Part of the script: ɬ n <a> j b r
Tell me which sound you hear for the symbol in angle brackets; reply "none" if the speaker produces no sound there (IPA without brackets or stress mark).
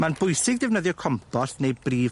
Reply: e